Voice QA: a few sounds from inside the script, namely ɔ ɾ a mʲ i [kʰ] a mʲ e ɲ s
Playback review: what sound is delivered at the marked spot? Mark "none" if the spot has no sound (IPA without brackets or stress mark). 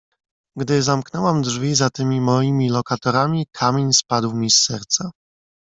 kʰ